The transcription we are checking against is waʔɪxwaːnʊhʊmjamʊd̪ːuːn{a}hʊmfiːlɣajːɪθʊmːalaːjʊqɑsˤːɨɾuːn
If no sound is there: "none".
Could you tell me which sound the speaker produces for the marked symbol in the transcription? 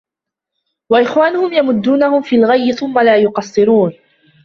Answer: a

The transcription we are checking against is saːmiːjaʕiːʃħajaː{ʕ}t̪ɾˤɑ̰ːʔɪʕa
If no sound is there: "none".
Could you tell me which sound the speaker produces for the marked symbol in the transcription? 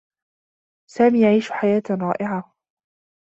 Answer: none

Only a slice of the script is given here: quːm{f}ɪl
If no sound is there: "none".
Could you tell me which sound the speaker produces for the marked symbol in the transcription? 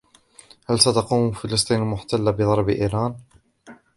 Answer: f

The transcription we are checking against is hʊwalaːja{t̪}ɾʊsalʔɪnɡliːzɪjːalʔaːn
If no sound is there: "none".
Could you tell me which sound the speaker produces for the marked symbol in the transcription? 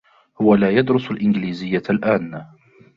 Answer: d̪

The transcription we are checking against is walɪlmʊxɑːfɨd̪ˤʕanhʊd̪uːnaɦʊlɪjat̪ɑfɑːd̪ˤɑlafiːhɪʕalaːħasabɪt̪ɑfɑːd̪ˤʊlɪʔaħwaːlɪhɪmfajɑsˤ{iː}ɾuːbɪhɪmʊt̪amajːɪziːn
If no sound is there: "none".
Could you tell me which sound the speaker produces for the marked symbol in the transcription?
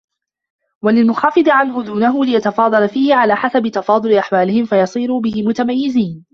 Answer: iː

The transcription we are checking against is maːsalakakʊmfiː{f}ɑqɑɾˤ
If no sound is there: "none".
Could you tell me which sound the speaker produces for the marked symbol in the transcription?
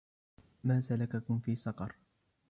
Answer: s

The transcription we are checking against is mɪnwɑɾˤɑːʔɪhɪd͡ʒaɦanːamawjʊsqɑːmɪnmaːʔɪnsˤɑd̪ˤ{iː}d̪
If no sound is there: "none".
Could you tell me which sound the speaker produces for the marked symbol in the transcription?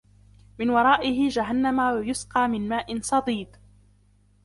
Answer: iː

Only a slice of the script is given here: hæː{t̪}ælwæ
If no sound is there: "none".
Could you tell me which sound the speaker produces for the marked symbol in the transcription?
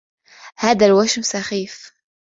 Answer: d̪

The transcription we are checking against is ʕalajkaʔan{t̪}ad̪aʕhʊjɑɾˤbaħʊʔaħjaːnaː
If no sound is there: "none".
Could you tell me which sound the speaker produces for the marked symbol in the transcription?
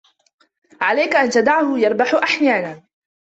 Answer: t̪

